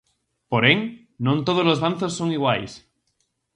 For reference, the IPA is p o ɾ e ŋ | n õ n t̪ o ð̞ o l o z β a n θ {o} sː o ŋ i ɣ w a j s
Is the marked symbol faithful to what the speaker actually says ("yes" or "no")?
yes